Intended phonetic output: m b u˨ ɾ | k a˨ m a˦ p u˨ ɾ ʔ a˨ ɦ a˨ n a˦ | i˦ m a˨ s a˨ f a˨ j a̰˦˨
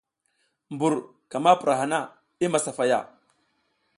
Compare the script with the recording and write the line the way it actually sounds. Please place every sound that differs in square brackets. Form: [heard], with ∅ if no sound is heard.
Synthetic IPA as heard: m b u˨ ɾ | k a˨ m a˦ p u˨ ɾ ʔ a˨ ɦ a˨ n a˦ | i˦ m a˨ s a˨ f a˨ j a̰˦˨